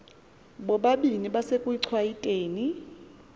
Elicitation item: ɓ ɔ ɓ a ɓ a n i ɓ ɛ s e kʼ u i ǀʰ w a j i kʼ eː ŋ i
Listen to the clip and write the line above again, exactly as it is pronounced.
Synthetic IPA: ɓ ɔ ɓ a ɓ i n i ɓ a s e kʼ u i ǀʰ w a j i tʼ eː n i